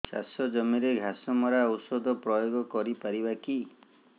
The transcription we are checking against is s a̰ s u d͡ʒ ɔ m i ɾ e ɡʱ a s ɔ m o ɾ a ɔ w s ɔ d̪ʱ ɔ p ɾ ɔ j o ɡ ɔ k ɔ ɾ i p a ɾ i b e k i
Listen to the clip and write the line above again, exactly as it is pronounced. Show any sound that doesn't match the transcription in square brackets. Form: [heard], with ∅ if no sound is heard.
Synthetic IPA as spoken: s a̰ s [ɔ] d͡ʒ ɔ m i ɾ e ɡʱ a s ɔ m [ɔ] ɾ a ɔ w s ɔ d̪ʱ ɔ p ɾ ɔ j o ɡ ɔ k ɔ ɾ i p a ɾ i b [a] k i

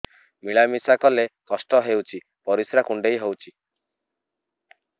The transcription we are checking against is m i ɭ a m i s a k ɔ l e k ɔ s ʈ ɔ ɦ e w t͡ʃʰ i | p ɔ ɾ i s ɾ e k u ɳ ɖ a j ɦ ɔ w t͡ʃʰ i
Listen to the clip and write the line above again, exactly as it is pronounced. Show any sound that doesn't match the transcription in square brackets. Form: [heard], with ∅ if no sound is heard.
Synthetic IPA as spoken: m i ɭ a m i s a k ɔ l e k ɔ s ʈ ɔ ɦ e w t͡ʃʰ i | p ɔ ɾ i s ɾ [a] k u ɳ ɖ [e] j ɦ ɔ w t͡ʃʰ i

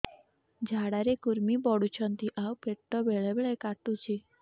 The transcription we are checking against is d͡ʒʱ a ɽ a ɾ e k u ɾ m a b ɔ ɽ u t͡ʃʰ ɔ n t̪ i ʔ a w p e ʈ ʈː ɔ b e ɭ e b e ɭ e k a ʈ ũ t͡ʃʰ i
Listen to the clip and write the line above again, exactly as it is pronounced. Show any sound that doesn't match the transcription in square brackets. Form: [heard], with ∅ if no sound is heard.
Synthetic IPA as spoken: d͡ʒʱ a ɽ a ɾ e k u ɾ m [i] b ɔ ɽ u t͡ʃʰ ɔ n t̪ i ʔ a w p e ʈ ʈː ɔ b e ɭ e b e ɭ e k a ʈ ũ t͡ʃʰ i

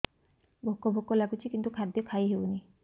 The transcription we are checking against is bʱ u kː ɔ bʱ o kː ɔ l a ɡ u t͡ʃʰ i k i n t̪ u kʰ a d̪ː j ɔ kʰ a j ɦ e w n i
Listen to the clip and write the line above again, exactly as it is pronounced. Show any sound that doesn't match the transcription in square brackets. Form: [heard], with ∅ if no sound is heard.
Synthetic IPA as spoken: bʱ [o] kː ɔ bʱ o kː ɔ l a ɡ u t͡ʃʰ i k i n t̪ u kʰ a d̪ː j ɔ kʰ a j ɦ e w n i

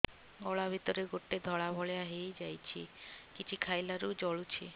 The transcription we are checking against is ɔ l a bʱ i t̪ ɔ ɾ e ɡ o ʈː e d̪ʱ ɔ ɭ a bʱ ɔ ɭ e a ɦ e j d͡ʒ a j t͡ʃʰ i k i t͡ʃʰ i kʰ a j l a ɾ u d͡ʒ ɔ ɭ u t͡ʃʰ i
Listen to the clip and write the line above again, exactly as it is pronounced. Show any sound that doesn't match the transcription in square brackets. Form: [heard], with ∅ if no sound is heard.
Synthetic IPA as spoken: ɔ [ɭ] a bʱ i t̪ ɔ ɾ e ɡ o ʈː e d̪ʱ ɔ ɭ a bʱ ɔ ɭ e a ɦ e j d͡ʒ a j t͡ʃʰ i k i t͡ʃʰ i kʰ a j l a ɾ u d͡ʒ ɔ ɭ u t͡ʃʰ i

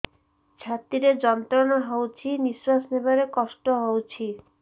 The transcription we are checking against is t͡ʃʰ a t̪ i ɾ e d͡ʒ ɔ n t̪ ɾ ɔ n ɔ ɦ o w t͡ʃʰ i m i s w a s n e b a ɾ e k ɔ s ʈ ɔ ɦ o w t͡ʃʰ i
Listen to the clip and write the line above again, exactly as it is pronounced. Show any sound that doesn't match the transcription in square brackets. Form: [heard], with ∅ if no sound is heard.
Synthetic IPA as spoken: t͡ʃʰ a t̪ i ɾ e d͡ʒ ɔ n t̪ ɾ ɔ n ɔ ɦ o w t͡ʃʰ i [n] i s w a s n e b a ɾ e k ɔ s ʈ ɔ ɦ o w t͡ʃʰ i

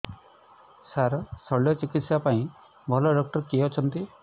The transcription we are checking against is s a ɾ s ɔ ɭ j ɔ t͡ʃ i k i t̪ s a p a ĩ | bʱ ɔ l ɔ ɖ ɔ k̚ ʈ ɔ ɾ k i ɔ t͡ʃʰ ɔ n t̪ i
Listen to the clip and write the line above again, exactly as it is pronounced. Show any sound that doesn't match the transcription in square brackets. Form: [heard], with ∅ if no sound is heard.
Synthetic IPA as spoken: s a ɾ s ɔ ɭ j ɔ t͡ʃ i k i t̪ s a p a ĩ | bʱ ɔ l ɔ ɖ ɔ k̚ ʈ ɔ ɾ k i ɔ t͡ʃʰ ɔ n t̪ i

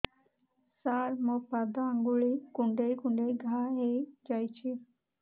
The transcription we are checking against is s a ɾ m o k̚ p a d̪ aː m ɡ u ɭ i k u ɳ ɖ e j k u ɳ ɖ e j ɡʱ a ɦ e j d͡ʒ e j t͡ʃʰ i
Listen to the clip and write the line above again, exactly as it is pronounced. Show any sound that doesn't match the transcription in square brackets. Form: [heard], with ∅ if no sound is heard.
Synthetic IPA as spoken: s a ɾ m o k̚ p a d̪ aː [ŋ] ɡ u ɭ i k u ɳ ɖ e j k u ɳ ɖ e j ɡʱ a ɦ e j d͡ʒ [a] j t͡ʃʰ i

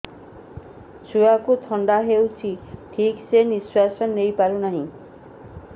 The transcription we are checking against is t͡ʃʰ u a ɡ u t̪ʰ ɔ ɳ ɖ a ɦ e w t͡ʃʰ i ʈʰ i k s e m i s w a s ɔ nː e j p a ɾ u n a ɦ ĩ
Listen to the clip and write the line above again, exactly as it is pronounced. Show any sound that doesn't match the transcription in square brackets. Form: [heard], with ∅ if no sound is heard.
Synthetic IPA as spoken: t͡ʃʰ u a [k] u t̪ʰ ɔ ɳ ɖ a ɦ e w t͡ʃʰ i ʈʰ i k s e [n] i s w a s ɔ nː e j p a ɾ u n a ɦ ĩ

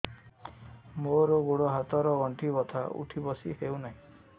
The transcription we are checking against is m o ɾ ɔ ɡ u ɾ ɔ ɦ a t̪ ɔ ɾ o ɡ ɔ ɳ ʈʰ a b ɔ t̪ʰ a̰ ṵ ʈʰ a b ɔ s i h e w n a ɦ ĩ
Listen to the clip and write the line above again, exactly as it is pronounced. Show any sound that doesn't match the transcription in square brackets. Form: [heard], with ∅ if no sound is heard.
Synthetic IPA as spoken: m o ɾ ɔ ɡ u [ɽ] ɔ ɦ a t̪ ɔ ɾ [ɔ] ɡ ɔ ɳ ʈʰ [i] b ɔ t̪ʰ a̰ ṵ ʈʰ [i] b ɔ s i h e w n a ɦ ĩ

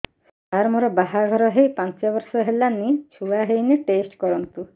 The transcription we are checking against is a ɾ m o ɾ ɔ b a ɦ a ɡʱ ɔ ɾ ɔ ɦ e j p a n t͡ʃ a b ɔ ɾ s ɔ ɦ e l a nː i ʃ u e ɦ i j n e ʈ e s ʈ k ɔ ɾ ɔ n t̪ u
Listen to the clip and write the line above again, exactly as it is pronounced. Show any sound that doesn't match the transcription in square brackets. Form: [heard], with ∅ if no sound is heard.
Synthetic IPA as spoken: a ɾ m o ɾ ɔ b a ɦ a ɡʱ ɔ ɾ ɔ ɦ e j p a n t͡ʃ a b ɔ ɾ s ɔ ɦ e l a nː i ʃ u [a] ɦ [e] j n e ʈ e s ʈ k ɔ ɾ ɔ n t̪ u

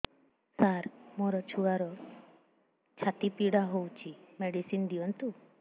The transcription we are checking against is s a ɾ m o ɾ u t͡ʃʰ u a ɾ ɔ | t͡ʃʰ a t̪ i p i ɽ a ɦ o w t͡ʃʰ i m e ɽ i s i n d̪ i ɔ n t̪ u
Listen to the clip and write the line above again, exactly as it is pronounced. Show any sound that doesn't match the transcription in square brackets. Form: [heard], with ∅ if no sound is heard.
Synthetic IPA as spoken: s a ɾ m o ɾ [ɔ] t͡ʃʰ u a ɾ ɔ | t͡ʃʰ a t̪ i p i ɽ a ɦ o w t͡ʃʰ i m e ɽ i s i n d̪ i ɔ n t̪ u

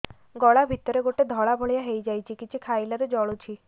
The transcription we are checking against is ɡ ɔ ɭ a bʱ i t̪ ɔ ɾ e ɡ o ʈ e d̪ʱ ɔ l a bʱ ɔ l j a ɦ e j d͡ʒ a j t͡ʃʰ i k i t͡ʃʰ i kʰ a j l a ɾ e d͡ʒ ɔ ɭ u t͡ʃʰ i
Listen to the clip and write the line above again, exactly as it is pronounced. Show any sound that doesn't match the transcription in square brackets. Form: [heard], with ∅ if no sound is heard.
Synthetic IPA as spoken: ɡ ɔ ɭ a bʱ i t̪ ɔ ɾ e ɡ o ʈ e d̪ʱ ɔ [ɭ] a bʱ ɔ [ɭ] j a ɦ e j d͡ʒ a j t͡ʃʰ i k i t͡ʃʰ i kʰ a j l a ɾ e d͡ʒ ɔ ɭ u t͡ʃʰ i

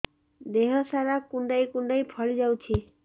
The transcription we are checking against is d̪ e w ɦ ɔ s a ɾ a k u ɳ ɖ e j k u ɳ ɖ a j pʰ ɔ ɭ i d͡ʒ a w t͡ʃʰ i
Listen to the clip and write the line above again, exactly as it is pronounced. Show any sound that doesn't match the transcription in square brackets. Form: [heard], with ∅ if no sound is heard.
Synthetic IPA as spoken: d̪ e [∅] ɦ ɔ s a ɾ a k u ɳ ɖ [a] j k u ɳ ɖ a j pʰ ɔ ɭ i d͡ʒ a w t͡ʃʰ i

